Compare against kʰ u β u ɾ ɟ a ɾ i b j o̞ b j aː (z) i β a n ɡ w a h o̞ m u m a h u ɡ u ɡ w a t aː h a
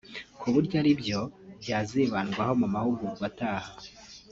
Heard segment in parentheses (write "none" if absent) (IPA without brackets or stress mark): z